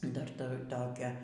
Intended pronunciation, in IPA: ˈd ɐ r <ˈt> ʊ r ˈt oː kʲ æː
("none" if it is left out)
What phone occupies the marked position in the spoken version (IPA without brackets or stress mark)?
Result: t